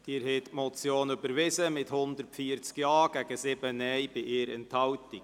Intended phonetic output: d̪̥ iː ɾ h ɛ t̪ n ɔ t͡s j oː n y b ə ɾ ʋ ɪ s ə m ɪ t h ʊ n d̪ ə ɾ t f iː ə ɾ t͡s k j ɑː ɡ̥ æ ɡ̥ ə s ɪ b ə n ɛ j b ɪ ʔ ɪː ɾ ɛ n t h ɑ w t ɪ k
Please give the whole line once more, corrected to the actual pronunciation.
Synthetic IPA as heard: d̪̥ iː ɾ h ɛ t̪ m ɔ t͡s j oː n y b ə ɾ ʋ ɪ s ə m ɪ t h ʊ n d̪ ə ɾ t f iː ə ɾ t͡s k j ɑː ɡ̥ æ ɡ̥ ə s ɪ b ə n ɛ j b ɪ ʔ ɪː ɾ ɛ n t h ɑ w t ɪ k